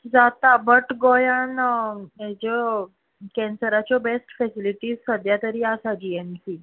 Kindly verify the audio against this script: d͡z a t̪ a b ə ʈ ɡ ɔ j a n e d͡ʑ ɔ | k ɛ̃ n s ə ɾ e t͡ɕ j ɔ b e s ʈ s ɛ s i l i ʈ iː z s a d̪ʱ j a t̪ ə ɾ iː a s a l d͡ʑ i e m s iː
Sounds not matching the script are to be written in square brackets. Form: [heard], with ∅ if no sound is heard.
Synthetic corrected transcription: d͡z a t̪ a b ə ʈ ɡ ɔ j a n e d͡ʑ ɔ | k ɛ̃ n s ə ɾ [a] t͡ɕ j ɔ b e s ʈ [f] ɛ s i l i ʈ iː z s [ə] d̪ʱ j a t̪ ə ɾ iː a s a [∅] d͡ʑ i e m s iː